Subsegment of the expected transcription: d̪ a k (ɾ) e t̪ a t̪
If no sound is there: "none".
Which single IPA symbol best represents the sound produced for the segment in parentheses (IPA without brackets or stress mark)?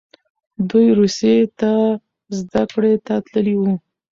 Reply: ɽ